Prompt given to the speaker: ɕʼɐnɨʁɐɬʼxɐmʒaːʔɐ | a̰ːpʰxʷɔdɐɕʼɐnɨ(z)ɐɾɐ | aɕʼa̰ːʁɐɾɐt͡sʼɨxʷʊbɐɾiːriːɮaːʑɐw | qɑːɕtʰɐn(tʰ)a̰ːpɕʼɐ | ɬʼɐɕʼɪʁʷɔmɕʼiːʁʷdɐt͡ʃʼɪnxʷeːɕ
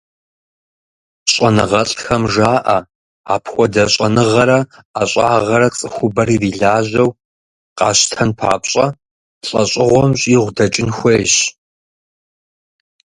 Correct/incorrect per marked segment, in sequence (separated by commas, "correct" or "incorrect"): incorrect, incorrect